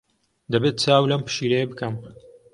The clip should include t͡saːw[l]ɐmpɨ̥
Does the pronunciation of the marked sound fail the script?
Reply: no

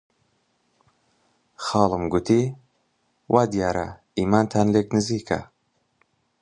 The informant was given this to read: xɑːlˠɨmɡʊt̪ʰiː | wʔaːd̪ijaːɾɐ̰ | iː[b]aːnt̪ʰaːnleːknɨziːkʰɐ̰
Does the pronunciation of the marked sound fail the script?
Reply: yes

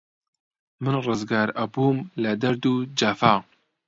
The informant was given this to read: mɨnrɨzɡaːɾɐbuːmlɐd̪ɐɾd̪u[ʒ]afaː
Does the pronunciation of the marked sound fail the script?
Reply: yes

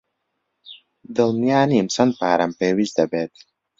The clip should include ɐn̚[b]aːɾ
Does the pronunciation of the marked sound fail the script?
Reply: yes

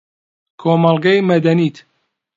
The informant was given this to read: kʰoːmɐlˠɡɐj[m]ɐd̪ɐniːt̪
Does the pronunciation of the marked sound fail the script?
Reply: no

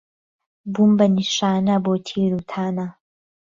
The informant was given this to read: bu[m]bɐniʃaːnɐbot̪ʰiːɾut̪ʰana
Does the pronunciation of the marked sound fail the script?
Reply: no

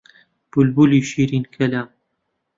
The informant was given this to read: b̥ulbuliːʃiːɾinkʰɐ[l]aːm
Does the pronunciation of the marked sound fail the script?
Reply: no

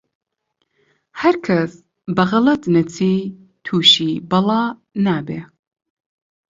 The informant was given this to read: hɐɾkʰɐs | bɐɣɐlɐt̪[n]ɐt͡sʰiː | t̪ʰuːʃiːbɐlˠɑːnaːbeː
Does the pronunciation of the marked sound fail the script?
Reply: no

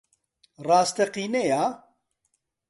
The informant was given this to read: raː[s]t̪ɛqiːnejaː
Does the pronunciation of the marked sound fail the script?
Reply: no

